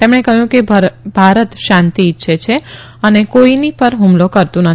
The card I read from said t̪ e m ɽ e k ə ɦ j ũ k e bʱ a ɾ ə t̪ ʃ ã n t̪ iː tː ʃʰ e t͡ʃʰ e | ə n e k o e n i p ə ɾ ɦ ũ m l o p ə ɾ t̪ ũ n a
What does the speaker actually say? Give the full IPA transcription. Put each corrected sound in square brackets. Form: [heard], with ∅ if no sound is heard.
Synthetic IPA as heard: t̪ e m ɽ e k ə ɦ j ũ k e bʱ a ɾ ə t̪ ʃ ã n t̪ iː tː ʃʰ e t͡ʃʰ e | ə n e k o [i] n i p ə ɾ ɦ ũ m l o [k] ə ɾ t̪ ũ n [ə]

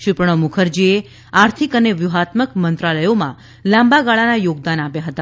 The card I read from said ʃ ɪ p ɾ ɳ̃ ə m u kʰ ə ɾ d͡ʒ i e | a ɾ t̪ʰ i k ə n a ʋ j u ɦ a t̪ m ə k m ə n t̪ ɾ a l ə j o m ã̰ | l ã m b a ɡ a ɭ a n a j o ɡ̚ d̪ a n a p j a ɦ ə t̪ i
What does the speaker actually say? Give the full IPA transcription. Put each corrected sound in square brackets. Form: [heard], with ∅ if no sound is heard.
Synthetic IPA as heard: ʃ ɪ p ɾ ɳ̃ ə m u kʰ ə ɾ d͡ʒ i e | a ɾ t̪ʰ i k ə n [e] ʋ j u ɦ a t̪ m ə k m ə n t̪ ɾ a l ə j o m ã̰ | l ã m b a ɡ a ɭ a n a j o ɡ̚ d̪ a n a p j a ɦ ə t̪ [a]

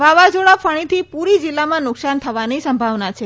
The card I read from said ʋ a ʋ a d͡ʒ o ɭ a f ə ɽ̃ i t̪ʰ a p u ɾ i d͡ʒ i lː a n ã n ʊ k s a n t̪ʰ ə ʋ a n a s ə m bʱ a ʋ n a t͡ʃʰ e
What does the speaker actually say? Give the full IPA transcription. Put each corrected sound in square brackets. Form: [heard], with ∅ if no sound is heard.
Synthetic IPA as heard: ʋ a ʋ a d͡ʒ o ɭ a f ə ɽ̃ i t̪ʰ [i] p u ɾ i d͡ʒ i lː a [m] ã n ʊ k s a n t̪ʰ ə ʋ a n [i] s ə m bʱ a ʋ n a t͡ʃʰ e

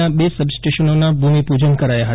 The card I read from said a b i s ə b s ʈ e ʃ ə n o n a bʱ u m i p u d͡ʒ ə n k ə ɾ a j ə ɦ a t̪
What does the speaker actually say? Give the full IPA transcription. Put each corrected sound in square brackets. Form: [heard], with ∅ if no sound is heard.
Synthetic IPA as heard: a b [e] s ə b s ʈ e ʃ ə n o n a bʱ u m i p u d͡ʒ ə n k ə ɾ a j [a] ɦ [ə] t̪

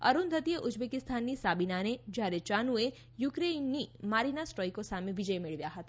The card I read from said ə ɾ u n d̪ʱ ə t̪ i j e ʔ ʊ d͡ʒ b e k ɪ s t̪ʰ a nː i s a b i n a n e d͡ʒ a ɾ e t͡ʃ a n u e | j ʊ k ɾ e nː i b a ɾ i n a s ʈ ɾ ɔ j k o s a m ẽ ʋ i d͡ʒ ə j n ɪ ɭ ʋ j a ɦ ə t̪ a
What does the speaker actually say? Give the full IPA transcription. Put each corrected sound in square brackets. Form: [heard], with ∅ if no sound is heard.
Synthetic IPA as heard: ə ɾ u n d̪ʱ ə t̪ i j e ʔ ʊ d͡ʒ b e k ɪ s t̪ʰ a nː i s a b i n a n e d͡ʒ a ɾ e t͡ʃ a n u e | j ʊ k ɾ e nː i [m] a ɾ i n a s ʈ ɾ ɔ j k o s a m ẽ ʋ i d͡ʒ ə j [m] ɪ ɭ ʋ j a ɦ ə t̪ a

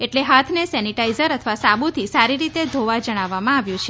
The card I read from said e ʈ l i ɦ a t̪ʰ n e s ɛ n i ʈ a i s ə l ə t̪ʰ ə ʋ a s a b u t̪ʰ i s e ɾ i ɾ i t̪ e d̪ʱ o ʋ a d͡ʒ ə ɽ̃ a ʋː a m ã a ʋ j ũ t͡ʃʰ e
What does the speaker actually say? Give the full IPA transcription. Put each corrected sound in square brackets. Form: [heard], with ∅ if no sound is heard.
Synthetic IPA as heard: e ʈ l [e] ɦ a t̪ʰ n e s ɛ n i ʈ a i [z] ə [ɾ] ə t̪ʰ ə ʋ a s a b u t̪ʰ i s [a] ɾ i ɾ i t̪ e d̪ʱ o ʋ a d͡ʒ ə ɽ̃ a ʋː a m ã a ʋ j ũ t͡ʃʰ e

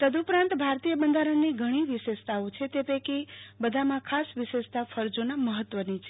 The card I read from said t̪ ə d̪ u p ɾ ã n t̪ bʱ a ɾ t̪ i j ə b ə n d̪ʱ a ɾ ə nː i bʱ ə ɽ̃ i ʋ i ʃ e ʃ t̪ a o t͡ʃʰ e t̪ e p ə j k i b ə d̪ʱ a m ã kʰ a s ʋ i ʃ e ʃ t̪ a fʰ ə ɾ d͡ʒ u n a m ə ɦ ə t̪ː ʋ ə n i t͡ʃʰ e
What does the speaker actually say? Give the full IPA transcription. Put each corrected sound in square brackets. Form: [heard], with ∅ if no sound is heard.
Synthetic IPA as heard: t̪ ə d̪ u p ɾ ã n t̪ bʱ a ɾ t̪ i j ə b ə n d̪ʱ a ɾ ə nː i [ɡʱ] ə ɽ̃ i ʋ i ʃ e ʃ t̪ a o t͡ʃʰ e t̪ e p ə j k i b ə d̪ʱ a m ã kʰ a s ʋ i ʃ e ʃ t̪ a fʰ ə ɾ d͡ʒ [o] n a m ə ɦ ə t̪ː ʋ ə n i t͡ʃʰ e

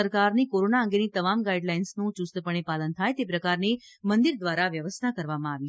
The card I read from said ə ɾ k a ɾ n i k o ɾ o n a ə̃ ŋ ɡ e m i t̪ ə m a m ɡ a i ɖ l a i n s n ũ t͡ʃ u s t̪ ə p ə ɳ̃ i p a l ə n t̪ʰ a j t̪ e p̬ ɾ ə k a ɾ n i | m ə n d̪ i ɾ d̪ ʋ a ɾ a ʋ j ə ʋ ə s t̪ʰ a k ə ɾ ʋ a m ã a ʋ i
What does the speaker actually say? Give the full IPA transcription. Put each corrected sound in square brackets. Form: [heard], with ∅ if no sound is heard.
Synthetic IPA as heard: ə ɾ k a ɾ n i k o ɾ o n a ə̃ ŋ ɡ e [n] i t̪ ə m a m ɡ a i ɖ l a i n s n ũ t͡ʃ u s t̪ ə p ə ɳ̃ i p a l ə n t̪ʰ a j t̪ e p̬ ɾ ə k a ɾ n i | m ə n d̪ i ɾ d̪ ʋ a ɾ a ʋ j ə ʋ ə s t̪ʰ a k ə ɾ ʋ a m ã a ʋ i

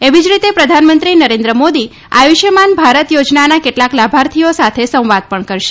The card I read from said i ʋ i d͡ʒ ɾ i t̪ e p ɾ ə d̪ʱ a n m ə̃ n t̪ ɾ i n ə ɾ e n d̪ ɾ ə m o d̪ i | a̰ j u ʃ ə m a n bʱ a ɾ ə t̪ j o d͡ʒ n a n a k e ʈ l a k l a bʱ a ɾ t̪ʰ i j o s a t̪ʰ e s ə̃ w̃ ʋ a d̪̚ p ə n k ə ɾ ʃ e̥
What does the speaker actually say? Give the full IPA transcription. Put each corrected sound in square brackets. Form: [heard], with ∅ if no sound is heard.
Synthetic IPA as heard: [e] ʋ i d͡ʒ ɾ i t̪ e p ɾ ə d̪ʱ a n m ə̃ n t̪ ɾ i n ə ɾ e n d̪ ɾ ə m o d̪ i | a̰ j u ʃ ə m a n bʱ a ɾ ə t̪ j o d͡ʒ n a n a k e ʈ l a k l a bʱ a ɾ t̪ʰ i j o s a t̪ʰ e s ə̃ w̃ ʋ a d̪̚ p ə [ɳ] k ə ɾ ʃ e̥

